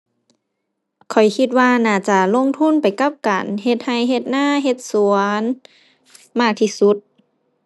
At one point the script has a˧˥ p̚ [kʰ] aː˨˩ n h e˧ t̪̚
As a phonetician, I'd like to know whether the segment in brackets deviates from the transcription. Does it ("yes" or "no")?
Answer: yes